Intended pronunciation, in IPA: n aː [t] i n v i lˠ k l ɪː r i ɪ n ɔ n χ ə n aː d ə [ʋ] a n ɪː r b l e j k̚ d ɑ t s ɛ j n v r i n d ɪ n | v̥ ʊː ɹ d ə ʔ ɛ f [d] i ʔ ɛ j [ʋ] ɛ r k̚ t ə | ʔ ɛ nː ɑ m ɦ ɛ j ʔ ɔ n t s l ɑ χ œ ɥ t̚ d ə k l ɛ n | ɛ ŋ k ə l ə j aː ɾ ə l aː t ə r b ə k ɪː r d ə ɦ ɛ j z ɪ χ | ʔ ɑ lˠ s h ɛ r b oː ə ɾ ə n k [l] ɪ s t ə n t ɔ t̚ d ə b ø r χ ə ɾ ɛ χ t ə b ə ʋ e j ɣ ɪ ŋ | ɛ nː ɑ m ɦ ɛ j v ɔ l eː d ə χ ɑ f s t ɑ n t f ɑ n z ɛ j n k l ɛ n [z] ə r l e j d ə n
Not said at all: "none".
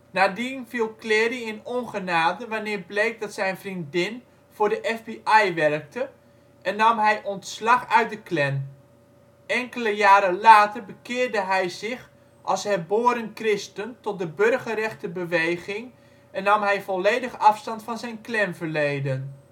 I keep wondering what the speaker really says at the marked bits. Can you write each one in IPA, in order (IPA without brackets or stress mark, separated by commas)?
d, ʋ, b, ʋ, r, v